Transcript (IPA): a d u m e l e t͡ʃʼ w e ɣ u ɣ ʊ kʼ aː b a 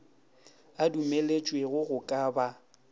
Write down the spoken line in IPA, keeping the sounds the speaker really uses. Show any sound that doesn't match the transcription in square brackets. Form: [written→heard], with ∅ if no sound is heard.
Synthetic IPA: a d u m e l e t͡ʃʼ w e ɣ [u→ʊ] ɣ ʊ kʼ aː b a